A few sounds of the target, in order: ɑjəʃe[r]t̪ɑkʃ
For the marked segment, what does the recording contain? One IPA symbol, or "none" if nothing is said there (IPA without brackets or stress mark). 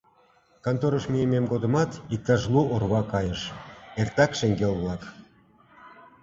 r